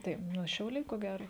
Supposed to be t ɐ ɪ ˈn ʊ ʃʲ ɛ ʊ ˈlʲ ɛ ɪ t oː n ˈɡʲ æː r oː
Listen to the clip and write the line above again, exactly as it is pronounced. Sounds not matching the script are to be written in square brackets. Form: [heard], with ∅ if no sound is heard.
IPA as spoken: t ɐ ɪ ˈn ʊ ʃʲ ɛ ʊ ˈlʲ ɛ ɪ [k] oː [∅] ˈɡʲ æː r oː